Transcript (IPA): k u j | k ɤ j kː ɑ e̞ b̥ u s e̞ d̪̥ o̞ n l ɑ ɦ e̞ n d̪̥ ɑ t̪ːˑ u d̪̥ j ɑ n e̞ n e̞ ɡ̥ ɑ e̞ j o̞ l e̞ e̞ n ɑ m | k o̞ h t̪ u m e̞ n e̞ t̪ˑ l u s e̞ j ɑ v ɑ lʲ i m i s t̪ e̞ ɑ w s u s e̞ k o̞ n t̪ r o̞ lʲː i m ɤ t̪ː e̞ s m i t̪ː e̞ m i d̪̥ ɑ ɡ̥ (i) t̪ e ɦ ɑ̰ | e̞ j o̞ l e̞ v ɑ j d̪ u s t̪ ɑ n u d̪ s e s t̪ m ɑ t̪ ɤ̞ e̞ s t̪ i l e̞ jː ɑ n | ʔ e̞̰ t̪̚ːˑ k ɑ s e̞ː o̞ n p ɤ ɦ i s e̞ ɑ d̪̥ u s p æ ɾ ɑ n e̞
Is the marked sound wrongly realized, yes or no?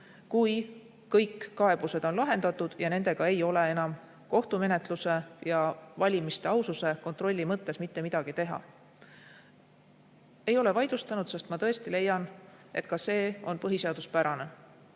no